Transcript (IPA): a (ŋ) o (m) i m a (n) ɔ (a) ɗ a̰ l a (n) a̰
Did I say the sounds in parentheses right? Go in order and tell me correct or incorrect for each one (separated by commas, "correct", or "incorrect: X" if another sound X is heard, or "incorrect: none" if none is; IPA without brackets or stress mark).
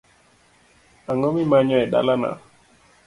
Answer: correct, correct, incorrect: ɲ, incorrect: ɛ, correct